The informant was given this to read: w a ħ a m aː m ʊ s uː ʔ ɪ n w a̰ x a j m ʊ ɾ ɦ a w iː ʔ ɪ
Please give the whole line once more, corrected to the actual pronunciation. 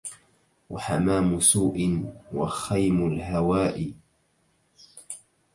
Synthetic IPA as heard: w a ħ a m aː m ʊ s uː ʔ ɪ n w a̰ x a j m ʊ l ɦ a w aː ʔ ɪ